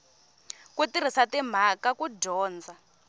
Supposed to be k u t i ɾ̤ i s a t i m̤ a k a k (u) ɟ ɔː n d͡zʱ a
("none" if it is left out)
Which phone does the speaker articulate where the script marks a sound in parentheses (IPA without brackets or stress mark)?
u